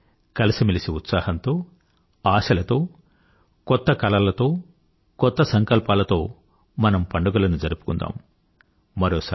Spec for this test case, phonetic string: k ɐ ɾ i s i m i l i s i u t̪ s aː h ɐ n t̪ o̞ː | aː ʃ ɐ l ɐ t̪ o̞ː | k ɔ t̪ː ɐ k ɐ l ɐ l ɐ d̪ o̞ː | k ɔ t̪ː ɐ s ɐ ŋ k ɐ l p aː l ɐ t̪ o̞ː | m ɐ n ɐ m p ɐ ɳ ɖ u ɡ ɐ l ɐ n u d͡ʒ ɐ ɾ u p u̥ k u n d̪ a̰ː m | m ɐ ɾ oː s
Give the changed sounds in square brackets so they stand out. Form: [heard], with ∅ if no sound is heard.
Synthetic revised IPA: k ɐ [l] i s i m i l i s i u t̪ s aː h ɐ n t̪ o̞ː | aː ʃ ɐ l ɐ t̪ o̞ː | k ɔ t̪ː ɐ k ɐ l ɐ l ɐ [t̪] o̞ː | k ɔ t̪ː ɐ s ɐ ŋ k ɐ l p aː l ɐ t̪ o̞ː | m ɐ n ɐ m p ɐ ɳ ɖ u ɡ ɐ l ɐ n u d͡ʒ ɐ ɾ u p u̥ k u n d̪ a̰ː m | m ɐ ɾ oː s